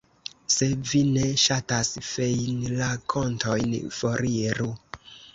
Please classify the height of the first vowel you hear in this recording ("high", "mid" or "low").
mid